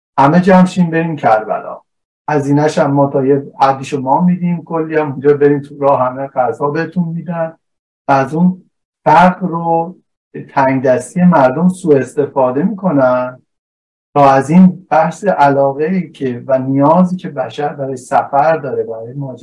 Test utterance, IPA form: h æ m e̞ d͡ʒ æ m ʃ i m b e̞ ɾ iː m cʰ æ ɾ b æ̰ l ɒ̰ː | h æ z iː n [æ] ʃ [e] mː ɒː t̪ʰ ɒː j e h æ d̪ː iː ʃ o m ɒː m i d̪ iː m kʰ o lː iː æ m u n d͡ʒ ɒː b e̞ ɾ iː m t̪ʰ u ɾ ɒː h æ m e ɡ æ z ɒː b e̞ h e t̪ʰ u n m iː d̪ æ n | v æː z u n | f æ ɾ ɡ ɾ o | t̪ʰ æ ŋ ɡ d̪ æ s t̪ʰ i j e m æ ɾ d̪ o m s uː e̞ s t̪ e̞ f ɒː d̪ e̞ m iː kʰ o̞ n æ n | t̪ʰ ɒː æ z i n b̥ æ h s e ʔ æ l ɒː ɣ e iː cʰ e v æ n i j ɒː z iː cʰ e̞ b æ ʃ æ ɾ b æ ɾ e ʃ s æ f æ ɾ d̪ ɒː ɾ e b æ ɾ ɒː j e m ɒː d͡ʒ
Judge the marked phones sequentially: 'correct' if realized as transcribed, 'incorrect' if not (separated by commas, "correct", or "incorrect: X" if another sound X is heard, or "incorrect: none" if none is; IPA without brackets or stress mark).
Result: correct, incorrect: æ